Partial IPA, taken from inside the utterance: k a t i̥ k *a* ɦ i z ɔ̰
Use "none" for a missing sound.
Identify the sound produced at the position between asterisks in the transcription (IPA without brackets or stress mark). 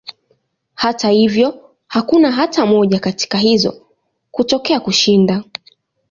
a